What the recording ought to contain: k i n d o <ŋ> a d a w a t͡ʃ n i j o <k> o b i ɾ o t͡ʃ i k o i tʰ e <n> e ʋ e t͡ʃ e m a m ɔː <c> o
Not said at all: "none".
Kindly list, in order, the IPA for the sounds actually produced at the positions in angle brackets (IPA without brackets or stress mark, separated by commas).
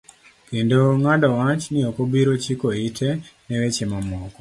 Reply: ŋ, k, n, k